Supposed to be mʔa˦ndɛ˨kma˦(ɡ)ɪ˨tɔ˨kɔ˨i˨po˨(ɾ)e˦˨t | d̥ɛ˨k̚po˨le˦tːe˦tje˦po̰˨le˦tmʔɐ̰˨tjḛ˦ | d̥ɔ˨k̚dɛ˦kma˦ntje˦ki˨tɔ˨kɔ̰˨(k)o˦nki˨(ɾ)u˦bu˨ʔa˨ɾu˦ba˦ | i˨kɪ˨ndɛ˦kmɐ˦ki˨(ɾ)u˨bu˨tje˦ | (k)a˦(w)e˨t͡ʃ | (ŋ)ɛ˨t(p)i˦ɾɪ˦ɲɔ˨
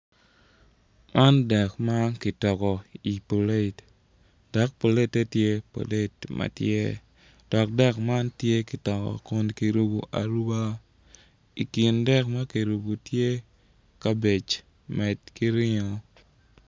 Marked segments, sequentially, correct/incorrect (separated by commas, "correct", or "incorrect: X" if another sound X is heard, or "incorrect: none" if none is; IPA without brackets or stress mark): incorrect: k, incorrect: l, correct, correct, correct, correct, incorrect: b, incorrect: m, incorrect: k